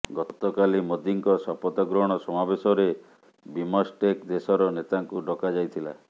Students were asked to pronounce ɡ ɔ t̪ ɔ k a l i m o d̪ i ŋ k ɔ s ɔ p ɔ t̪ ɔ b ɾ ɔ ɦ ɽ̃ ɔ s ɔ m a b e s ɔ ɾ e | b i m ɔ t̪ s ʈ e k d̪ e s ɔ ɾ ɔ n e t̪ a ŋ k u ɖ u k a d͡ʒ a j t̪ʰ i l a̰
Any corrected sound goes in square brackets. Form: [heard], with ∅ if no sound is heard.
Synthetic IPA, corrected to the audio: ɡ ɔ t̪ ɔ k a l i m o d̪ i ŋ k ɔ s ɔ p ɔ t̪ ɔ [ɡ] ɾ ɔ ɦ ɽ̃ ɔ s ɔ m a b e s ɔ ɾ e | b i m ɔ [∅] s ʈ e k d̪ e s ɔ ɾ ɔ n e t̪ a ŋ k u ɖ [ɔ] k a d͡ʒ a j t̪ʰ i l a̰